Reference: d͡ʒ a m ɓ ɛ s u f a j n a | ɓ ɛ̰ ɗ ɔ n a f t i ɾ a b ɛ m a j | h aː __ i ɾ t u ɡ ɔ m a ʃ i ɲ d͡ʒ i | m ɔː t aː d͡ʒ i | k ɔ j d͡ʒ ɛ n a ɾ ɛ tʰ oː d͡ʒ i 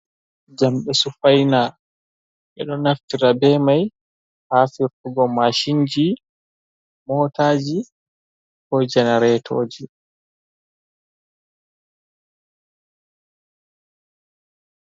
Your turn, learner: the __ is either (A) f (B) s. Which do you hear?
A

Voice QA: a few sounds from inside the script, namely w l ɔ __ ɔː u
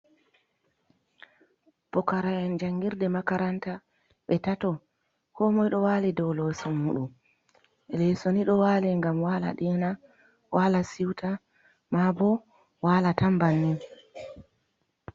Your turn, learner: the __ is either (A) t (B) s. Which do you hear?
B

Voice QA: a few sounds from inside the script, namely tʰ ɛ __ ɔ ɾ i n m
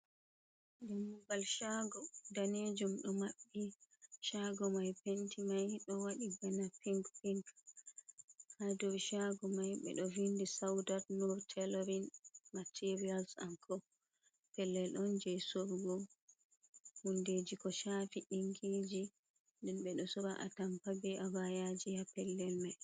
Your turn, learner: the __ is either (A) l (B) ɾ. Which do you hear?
A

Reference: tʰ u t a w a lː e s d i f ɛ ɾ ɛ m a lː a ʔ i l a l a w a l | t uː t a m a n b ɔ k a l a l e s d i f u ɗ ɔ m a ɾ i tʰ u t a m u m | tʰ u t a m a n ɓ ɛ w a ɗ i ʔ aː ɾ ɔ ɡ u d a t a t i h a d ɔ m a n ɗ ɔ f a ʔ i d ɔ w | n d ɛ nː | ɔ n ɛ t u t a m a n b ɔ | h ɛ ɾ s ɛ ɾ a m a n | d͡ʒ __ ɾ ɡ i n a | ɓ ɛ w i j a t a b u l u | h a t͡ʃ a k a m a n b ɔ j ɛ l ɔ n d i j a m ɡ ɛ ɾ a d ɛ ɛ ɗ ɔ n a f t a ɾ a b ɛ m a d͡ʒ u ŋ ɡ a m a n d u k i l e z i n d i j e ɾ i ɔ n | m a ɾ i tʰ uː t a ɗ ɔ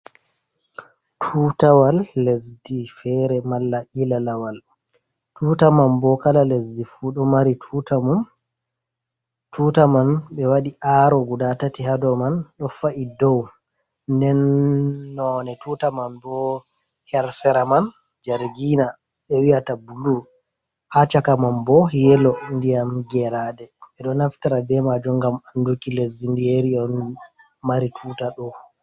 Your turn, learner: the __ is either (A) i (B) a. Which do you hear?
B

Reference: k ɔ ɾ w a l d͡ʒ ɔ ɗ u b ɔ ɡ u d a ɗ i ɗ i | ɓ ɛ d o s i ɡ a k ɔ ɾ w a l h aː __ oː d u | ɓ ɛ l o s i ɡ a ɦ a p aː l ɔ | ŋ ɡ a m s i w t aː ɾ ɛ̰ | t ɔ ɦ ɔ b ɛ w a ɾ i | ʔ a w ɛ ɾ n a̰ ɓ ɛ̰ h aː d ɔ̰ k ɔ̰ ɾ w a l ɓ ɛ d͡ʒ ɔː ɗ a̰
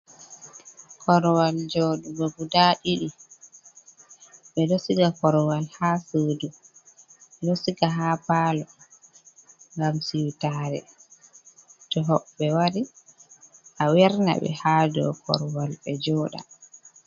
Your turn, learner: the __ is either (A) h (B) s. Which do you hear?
B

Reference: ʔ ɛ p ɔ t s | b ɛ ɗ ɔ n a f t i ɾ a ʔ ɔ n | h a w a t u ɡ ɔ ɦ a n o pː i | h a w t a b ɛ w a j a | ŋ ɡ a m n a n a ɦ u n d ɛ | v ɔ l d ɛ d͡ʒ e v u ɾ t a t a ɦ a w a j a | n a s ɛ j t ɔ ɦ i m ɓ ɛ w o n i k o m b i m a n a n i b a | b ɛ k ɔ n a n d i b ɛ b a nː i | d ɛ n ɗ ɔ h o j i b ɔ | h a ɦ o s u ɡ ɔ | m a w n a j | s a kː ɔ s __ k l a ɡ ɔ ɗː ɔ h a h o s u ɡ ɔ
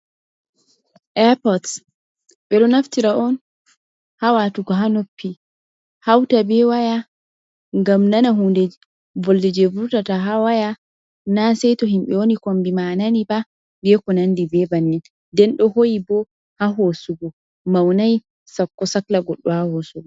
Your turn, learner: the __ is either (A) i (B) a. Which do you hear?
B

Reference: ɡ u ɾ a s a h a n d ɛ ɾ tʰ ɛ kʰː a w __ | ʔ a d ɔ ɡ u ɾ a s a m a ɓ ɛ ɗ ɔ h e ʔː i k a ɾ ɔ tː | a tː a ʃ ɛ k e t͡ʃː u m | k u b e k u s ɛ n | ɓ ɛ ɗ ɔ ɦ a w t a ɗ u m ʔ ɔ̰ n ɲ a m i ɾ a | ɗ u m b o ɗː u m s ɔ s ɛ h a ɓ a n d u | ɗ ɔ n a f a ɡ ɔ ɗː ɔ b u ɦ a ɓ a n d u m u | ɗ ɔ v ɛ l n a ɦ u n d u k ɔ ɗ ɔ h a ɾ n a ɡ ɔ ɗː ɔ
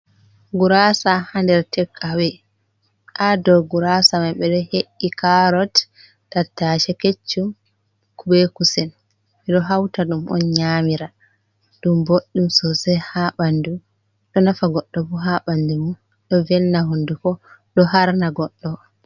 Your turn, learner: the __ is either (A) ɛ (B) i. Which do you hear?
A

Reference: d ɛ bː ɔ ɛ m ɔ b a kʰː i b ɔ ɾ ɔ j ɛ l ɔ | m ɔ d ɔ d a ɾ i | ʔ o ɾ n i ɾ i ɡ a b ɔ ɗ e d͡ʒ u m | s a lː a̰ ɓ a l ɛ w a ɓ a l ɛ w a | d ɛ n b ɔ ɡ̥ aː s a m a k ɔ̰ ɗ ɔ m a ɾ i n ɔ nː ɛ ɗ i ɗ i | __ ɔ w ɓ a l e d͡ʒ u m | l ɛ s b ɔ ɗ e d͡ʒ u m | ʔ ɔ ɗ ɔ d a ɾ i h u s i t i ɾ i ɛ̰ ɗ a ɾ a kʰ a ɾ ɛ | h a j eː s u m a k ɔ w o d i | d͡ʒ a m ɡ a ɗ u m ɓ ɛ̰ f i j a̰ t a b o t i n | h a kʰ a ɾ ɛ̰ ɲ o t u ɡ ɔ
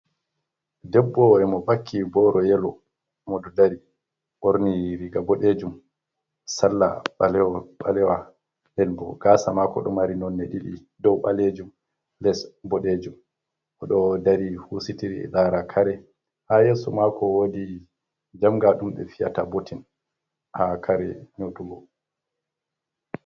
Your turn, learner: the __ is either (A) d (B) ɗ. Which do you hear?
A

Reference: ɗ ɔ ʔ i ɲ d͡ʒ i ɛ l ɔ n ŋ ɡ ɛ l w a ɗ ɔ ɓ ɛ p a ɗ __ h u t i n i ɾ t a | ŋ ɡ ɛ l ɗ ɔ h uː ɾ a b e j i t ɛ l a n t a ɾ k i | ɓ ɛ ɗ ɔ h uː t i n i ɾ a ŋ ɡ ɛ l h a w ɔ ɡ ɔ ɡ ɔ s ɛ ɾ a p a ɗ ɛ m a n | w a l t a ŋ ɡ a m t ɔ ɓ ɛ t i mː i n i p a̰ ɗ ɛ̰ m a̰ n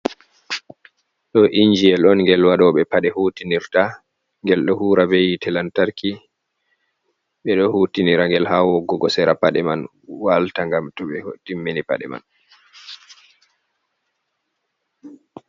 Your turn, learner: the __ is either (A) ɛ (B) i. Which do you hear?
A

